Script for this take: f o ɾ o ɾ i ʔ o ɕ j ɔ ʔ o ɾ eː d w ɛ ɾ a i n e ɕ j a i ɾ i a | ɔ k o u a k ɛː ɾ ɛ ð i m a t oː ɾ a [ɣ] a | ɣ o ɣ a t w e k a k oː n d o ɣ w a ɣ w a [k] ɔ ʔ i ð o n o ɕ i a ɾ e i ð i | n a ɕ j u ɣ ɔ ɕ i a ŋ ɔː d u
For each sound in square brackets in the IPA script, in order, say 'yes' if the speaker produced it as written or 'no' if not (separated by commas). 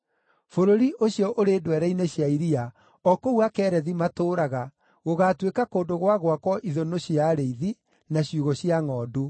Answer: yes, yes